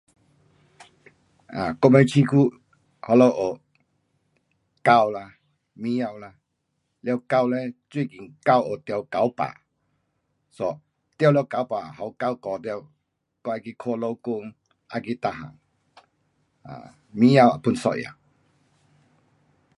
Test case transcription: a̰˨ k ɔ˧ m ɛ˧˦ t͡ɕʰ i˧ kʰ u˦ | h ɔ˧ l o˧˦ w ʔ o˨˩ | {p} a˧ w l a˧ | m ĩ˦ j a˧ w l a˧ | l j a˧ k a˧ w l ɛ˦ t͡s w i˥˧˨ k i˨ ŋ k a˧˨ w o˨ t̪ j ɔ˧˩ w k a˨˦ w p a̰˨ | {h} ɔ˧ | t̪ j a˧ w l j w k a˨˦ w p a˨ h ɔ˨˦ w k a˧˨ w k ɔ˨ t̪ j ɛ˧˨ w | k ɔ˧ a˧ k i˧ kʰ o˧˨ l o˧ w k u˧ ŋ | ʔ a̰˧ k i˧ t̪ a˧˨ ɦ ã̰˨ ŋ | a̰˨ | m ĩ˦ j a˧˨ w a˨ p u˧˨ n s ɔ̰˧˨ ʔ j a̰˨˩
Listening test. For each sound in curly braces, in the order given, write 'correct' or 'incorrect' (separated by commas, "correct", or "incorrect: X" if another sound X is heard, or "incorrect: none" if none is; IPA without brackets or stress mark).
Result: incorrect: k, incorrect: s